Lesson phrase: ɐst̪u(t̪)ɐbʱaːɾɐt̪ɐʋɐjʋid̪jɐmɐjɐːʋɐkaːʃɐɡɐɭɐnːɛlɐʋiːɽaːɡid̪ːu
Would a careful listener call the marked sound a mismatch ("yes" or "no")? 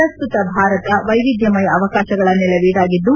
no